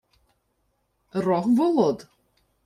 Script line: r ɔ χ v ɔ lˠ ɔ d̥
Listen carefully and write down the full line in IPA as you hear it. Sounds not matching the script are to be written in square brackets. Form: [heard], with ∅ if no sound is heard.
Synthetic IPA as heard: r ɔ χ v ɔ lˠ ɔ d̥

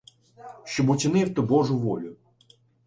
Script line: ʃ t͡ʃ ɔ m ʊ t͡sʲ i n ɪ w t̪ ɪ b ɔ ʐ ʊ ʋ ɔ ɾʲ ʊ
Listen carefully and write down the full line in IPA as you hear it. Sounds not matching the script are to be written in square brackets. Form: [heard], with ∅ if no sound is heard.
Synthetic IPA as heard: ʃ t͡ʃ ɔ [b] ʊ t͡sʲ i n ɪ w t̪ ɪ b ɔ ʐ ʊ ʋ ɔ [lʲ] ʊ

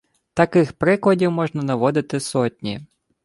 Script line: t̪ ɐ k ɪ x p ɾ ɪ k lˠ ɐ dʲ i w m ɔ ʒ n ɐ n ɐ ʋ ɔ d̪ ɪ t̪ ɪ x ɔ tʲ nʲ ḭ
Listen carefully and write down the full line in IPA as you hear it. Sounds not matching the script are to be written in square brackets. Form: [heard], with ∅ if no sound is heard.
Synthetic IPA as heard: t̪ ɐ k ɪ x p ɾ ɪ k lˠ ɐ dʲ i w m ɔ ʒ n ɐ n ɐ ʋ ɔ d̪ ɪ t̪ ɪ [s] ɔ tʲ nʲ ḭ

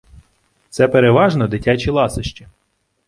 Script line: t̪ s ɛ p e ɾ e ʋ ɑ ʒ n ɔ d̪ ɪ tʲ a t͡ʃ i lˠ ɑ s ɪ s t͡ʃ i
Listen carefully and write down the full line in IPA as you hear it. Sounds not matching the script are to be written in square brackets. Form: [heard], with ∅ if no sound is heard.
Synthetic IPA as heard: t̪ s ɛ p e ɾ e ʋ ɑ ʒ n ɔ d̪ ɪ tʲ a t͡ʃ i lˠ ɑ s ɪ [ʃ] t͡ʃ i

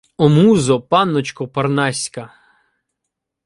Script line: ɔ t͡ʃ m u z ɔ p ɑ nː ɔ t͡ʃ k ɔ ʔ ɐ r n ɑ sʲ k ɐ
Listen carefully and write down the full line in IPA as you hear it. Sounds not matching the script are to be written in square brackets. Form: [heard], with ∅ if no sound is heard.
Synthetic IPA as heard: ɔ [∅] m u z ɔ p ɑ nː ɔ t͡ʃ k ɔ [p] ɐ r n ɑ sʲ k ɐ

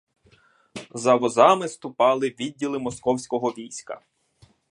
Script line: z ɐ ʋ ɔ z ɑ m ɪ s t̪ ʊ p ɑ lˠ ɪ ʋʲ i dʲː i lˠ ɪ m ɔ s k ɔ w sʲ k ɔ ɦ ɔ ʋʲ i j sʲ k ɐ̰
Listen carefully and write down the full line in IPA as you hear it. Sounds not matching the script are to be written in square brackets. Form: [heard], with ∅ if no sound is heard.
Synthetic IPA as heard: z ɐ ʋ ɔ z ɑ m ɪ s t̪ ʊ p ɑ lˠ ɪ ʋʲ i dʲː i lˠ ɪ m ɔ s k ɔ w sʲ k ɔ ɦ ɔ ʋʲ i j sʲ k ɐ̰

